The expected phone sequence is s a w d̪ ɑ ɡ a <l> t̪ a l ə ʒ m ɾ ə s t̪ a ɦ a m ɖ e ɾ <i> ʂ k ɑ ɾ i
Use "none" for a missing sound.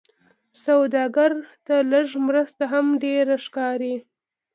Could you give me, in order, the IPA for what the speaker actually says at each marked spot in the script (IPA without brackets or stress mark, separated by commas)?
ɾ, a